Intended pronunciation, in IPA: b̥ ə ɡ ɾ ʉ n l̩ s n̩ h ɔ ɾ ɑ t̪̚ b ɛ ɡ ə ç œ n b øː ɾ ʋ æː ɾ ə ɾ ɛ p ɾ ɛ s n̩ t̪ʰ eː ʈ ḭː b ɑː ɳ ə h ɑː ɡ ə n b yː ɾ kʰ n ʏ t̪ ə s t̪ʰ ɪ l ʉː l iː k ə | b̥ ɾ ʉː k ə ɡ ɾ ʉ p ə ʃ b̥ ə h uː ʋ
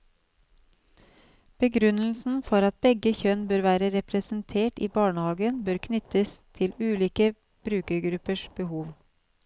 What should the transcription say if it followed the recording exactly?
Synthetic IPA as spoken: b̥ ə ɡ ɾ ʉ n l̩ s n̩ f ɔ ɾ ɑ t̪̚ b ɛ ɡ ə ç œ n b øː ɾ ʋ æː ɾ ə ɾ ɛ p ɾ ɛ s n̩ t̪ʰ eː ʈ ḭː b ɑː ɳ ə h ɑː ɡ ə n b øː ɾ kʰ n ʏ t̪ ə s t̪ʰ ɪ l ʉː l iː k ə | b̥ ɾ ʉː k ə ɡ ɾ ʉ p ə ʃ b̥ ə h uː ʋ